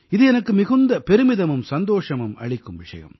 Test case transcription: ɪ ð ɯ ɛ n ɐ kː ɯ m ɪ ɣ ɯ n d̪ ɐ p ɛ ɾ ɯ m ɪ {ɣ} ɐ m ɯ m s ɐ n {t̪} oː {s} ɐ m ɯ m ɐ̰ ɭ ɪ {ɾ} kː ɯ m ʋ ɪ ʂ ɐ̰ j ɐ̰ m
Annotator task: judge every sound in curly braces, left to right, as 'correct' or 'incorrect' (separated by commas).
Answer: incorrect, incorrect, incorrect, incorrect